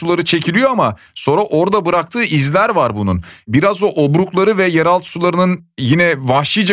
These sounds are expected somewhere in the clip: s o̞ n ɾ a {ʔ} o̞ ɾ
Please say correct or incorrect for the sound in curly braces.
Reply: correct